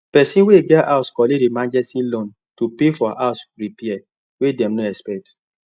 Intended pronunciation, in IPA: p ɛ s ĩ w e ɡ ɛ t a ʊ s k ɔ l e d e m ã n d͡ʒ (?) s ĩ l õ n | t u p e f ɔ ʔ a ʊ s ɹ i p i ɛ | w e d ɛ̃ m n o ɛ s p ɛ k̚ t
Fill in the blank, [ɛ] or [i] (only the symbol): ɛ